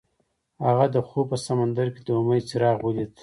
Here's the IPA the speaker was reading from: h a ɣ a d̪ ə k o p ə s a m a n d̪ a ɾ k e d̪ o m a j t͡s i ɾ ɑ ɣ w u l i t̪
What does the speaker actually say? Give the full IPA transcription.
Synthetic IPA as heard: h a ɣ a d̪ ə x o p ə s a m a n d̪ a ɾ k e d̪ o m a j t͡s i ɾ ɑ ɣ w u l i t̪